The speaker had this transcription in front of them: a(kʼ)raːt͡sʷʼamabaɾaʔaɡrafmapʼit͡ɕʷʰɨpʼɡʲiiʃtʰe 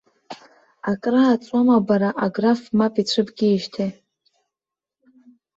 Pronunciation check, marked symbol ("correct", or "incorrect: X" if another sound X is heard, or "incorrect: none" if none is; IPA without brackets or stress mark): correct